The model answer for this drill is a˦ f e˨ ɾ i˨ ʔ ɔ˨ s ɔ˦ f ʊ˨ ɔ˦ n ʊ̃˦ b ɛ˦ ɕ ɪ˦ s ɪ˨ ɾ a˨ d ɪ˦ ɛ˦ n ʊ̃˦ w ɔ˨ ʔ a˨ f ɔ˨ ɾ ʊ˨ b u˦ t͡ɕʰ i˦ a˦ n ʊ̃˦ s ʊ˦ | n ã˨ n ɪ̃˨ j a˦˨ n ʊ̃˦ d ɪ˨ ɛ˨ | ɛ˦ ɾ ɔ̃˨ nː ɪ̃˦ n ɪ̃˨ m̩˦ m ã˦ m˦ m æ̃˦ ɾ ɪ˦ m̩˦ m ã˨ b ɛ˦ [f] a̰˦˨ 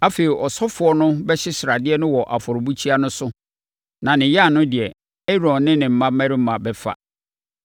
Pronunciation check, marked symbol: correct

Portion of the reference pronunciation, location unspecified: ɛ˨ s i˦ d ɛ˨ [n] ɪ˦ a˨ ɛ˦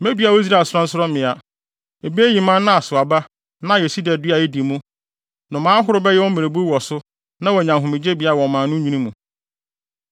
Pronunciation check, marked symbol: incorrect: d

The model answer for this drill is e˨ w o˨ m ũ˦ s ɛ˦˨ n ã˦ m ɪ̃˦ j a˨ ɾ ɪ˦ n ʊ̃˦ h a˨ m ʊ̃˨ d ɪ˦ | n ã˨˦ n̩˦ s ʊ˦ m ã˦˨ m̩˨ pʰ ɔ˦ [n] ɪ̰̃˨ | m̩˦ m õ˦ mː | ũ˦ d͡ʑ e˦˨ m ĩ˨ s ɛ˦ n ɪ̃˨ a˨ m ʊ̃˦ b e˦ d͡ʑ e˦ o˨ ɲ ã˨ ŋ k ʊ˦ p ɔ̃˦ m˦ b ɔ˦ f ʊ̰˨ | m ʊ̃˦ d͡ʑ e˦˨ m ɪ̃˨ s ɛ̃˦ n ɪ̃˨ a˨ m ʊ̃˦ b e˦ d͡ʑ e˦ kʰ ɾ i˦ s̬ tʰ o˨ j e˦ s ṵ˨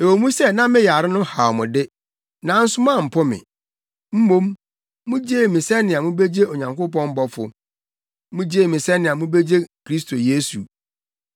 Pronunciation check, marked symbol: incorrect: m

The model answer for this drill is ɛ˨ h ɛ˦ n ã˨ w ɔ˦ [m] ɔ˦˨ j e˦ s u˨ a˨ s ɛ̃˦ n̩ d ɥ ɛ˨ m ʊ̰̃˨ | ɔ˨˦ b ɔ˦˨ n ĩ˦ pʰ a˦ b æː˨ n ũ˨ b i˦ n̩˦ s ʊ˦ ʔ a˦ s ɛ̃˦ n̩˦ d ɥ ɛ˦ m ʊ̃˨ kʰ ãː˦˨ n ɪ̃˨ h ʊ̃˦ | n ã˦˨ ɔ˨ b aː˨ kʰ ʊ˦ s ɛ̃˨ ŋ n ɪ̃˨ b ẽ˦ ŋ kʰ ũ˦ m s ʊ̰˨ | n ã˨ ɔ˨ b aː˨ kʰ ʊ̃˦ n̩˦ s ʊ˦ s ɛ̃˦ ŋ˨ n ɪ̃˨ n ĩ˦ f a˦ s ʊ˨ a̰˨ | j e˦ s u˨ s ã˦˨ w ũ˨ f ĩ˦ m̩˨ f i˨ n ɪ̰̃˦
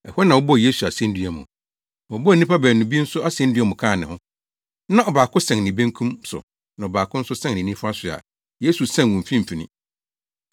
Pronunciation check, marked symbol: incorrect: b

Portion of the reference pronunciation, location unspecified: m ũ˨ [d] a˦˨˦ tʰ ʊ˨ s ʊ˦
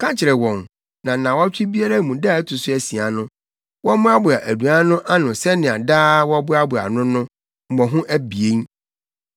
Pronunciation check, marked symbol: correct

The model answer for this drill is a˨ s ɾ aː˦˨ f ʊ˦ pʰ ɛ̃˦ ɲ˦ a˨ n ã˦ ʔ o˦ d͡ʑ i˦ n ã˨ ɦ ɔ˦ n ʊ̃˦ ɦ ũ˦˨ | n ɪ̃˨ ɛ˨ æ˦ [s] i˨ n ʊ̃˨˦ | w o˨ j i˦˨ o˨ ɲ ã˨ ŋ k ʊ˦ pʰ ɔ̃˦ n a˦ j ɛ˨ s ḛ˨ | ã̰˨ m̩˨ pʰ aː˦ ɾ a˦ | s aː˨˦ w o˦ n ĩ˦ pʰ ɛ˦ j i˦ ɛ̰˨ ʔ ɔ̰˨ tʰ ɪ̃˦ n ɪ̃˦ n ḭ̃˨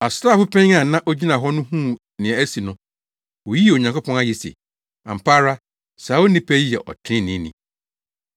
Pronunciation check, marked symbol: correct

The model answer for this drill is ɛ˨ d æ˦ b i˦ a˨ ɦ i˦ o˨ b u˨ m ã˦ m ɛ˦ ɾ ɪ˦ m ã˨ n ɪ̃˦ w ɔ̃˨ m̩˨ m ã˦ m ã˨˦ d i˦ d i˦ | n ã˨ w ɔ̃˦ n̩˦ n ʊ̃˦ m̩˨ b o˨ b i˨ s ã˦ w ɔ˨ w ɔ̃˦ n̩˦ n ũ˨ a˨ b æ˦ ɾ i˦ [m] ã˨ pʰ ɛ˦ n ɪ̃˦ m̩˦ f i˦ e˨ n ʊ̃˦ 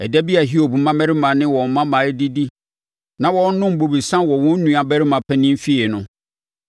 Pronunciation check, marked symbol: correct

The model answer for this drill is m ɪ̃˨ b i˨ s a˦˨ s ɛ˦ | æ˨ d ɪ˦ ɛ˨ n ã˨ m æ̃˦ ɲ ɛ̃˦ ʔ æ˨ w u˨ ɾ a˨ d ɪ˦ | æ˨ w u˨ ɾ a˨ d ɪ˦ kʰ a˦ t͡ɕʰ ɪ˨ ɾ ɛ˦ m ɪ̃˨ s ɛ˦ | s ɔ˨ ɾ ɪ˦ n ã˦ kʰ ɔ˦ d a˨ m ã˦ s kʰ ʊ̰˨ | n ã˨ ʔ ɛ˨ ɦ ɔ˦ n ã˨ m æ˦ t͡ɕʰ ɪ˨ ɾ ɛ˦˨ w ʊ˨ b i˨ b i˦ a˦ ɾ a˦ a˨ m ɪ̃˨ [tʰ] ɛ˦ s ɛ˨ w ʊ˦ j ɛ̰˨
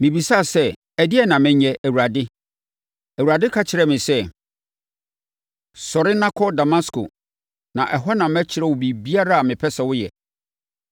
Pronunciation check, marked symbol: incorrect: pʰ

